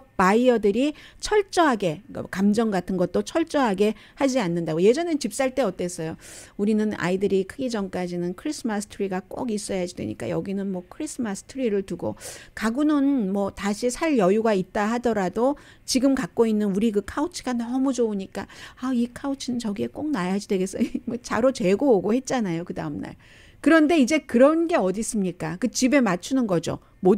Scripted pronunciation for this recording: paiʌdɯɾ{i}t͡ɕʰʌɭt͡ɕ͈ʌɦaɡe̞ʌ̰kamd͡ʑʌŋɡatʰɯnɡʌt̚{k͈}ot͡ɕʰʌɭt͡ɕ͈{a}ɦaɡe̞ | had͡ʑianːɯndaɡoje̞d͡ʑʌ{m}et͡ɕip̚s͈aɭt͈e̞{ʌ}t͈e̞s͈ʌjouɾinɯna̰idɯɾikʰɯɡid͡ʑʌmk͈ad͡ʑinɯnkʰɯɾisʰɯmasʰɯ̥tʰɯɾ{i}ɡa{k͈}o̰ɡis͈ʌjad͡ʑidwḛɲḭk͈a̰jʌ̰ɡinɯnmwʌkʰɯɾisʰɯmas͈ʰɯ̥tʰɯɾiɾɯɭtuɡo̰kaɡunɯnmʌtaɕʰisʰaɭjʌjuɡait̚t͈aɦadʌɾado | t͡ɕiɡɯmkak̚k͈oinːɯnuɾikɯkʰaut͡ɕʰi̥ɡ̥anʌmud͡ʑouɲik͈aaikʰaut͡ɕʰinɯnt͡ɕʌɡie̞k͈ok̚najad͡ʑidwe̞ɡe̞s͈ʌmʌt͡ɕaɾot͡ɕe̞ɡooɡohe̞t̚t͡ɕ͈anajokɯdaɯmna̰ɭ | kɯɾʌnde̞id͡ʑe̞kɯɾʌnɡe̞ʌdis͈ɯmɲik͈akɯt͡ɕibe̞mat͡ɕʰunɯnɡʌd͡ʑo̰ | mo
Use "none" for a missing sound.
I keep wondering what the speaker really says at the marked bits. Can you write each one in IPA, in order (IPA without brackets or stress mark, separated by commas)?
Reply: i, t͈, ʌ, n, ʌ, i, k͈